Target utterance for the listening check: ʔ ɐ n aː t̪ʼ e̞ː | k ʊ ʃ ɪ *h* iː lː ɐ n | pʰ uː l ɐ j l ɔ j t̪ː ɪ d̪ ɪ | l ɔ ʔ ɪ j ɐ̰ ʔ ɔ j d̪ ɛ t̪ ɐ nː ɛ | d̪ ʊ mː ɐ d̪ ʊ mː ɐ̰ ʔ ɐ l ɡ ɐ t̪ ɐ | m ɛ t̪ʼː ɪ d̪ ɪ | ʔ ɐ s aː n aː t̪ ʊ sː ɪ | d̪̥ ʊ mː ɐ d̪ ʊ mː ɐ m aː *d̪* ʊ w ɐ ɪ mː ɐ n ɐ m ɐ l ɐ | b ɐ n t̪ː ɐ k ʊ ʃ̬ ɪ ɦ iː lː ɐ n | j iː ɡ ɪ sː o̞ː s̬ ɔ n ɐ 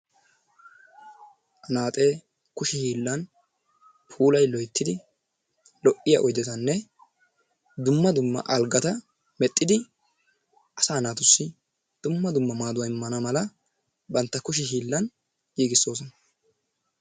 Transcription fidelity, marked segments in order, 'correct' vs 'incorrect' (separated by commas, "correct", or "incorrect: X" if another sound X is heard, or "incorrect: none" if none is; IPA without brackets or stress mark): correct, correct